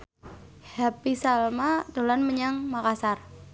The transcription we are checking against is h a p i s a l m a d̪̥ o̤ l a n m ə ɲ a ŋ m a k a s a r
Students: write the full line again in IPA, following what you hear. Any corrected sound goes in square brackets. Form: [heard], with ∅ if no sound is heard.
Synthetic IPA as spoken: h a p i s a l m a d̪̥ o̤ l a n m ə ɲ a ŋ m a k a s a r